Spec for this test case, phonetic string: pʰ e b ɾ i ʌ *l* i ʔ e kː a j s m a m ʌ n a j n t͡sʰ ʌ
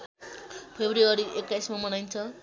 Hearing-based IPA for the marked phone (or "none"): ɾ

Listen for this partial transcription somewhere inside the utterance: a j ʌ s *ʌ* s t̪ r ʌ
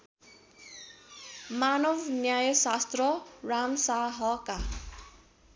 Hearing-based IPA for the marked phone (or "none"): a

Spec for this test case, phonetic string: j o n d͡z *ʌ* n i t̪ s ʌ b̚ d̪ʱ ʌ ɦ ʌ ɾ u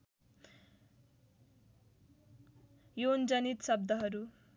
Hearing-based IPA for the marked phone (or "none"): ʌ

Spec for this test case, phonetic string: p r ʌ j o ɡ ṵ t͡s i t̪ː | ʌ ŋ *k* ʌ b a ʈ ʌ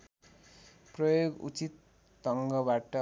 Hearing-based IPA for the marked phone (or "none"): ɡ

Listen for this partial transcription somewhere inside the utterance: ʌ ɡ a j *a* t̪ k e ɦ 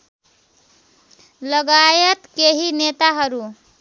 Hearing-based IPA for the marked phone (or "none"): ʌ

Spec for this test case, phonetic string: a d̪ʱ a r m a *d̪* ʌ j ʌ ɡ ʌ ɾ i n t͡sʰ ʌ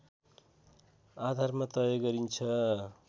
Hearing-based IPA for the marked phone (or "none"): t̪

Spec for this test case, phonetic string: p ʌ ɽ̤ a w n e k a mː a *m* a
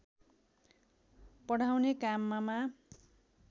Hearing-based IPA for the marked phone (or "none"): m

